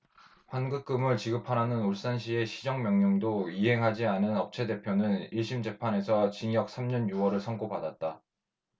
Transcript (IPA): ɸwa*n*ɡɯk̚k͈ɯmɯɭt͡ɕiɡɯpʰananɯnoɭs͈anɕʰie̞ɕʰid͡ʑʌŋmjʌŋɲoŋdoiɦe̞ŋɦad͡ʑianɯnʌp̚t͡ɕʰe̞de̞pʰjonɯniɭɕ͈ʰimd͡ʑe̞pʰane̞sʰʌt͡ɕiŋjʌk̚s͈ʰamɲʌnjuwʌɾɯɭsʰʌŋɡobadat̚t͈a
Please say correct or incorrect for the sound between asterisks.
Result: correct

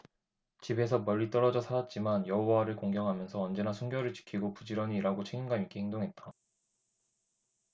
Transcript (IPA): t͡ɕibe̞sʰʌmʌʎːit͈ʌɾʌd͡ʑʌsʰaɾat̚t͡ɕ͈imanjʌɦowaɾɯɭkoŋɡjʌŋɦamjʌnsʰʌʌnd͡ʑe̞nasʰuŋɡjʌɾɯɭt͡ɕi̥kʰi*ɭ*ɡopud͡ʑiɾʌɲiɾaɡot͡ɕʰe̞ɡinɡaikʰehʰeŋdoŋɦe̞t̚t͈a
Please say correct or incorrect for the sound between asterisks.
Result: incorrect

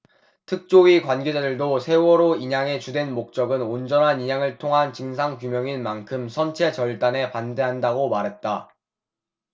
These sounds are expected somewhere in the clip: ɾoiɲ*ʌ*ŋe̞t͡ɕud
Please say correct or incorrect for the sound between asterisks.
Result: incorrect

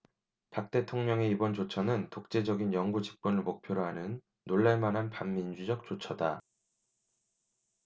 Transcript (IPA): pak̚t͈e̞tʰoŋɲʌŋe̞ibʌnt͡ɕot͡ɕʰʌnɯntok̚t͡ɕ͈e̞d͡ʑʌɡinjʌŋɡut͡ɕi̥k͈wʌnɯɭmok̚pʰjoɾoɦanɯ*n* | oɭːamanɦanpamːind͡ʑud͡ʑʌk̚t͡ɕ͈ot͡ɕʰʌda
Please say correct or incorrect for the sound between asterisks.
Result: incorrect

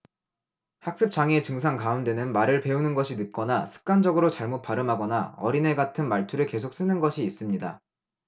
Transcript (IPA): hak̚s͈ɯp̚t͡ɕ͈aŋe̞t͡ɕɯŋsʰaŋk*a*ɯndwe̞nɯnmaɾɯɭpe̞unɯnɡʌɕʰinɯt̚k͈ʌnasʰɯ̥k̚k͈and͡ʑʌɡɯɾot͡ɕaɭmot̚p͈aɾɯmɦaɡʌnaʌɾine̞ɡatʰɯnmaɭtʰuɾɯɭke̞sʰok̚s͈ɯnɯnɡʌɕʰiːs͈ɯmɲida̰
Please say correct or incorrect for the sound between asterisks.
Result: correct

